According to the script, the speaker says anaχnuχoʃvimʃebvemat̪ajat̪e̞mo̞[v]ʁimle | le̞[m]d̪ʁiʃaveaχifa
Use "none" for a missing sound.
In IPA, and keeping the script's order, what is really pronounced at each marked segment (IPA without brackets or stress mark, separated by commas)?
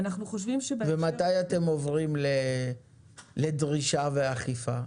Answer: v, none